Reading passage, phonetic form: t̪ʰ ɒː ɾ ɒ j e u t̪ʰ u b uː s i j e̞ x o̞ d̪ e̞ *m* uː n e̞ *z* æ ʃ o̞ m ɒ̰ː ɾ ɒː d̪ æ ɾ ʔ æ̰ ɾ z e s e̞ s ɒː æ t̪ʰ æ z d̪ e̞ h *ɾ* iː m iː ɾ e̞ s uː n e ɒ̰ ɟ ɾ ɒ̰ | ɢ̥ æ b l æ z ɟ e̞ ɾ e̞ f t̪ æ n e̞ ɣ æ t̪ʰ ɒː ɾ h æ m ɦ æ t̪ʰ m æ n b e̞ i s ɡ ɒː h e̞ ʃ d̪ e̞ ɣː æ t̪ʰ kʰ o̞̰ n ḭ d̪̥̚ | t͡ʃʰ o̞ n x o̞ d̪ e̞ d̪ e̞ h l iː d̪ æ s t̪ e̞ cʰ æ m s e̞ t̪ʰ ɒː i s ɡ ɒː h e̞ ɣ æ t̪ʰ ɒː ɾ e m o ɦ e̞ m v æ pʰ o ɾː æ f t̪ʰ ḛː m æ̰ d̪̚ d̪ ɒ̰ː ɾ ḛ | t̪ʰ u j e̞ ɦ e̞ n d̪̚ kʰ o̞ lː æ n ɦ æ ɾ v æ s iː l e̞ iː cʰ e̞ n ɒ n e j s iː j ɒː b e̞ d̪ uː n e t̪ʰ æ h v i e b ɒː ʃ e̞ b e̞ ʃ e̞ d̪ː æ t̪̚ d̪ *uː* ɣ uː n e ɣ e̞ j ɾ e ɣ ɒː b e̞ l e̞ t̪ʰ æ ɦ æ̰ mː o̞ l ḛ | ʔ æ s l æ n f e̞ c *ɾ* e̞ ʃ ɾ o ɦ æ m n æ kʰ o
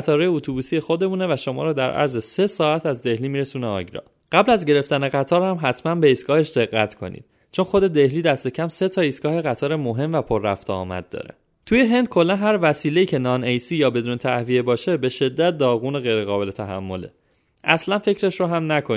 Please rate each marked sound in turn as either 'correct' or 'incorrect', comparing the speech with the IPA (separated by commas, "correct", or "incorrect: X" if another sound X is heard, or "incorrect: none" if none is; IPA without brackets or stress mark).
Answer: correct, incorrect: v, incorrect: l, incorrect: ɒː, correct